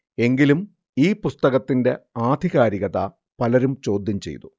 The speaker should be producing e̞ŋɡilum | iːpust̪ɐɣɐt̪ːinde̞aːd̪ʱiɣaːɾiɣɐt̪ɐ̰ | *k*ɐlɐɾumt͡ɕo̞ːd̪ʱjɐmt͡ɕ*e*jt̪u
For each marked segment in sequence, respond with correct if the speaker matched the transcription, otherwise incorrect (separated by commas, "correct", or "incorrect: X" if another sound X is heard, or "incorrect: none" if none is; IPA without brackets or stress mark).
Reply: incorrect: p, correct